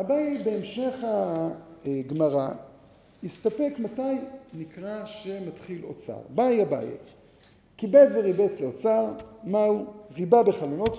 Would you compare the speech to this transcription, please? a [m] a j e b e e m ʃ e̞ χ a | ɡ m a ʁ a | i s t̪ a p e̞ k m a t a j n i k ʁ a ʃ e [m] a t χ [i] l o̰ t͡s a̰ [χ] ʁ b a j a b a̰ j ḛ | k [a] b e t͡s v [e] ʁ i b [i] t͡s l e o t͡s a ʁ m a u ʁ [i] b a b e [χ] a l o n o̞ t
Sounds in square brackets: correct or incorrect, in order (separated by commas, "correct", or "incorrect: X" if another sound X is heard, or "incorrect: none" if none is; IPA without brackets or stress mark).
incorrect: b, correct, correct, incorrect: none, incorrect: i, correct, incorrect: e, correct, correct